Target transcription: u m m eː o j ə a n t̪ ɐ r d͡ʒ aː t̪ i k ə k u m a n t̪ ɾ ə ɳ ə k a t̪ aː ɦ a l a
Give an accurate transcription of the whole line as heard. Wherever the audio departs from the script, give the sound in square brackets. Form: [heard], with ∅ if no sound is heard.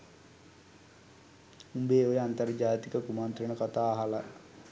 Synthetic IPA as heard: u m [b] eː o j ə a n t̪ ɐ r d͡ʒ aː t̪ i k ə k u m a n t̪ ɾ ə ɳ ə k a t̪ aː ɦ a l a